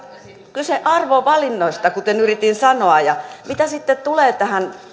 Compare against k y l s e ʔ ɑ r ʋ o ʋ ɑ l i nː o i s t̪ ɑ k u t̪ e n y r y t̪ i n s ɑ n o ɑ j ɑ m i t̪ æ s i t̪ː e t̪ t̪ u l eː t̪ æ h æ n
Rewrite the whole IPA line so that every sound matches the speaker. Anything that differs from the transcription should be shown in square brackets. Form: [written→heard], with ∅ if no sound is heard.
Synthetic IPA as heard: k y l s e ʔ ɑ r ʋ o ʋ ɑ l i nː o i s t̪ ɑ k u t̪ e n y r [y→i] t̪ i n s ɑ n o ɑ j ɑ m i t̪ æ s i t̪ː e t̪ t̪ u l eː t̪ æ h æ n